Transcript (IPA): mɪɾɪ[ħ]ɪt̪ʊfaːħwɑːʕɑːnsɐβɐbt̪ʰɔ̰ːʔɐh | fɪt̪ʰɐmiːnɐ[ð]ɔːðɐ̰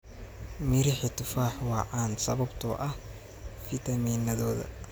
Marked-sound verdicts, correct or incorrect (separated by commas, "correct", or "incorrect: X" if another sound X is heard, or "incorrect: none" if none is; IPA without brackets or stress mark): correct, correct